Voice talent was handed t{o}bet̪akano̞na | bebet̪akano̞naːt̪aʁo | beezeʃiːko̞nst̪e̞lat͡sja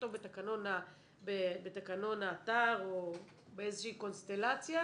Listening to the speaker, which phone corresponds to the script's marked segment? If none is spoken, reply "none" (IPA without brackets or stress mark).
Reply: o